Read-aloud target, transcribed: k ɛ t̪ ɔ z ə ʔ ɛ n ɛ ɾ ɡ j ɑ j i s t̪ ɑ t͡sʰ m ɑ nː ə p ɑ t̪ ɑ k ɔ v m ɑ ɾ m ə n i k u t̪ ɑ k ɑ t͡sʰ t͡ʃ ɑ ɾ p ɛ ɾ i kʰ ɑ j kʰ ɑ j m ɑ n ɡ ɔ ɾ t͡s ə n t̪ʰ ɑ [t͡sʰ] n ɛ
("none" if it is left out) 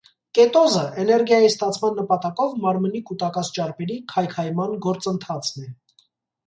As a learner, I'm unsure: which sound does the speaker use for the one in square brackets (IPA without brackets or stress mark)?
t͡sʰ